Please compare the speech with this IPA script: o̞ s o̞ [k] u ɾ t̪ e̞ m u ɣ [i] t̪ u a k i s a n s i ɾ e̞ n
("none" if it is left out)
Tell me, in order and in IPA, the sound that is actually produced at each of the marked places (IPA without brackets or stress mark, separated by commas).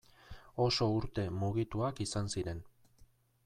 none, i